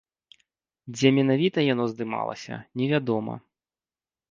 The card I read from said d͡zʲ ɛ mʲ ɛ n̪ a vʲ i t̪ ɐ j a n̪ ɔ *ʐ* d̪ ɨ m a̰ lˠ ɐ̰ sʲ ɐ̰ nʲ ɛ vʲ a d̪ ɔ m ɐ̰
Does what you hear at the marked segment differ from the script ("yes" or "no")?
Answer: yes